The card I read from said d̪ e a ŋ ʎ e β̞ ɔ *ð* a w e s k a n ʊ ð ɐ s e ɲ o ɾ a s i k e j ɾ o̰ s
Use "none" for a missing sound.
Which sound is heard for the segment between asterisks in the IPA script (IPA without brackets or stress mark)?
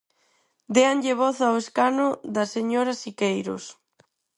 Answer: θ